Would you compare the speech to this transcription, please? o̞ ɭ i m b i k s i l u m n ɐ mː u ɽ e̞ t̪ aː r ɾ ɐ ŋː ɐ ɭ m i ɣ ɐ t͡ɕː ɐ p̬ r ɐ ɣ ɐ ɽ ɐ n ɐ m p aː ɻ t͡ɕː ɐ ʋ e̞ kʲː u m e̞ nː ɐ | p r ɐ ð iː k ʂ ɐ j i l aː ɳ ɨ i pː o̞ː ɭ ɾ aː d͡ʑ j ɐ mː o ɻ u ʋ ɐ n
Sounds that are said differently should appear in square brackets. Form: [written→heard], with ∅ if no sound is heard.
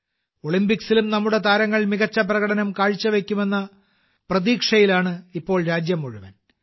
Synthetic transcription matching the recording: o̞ ɭ i m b i k s i l u m n ɐ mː u ɽ e̞ t̪ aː [r→∅] ɾ ɐ ŋː ɐ ɭ m i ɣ ɐ t͡ɕː ɐ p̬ r ɐ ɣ ɐ ɽ ɐ n ɐ m [p→k] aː ɻ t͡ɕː ɐ ʋ e̞ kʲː u m e̞ nː ɐ | p r ɐ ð iː k ʂ ɐ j i l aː ɳ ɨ i pː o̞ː ɭ ɾ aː d͡ʑ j ɐ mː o ɻ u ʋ ɐ n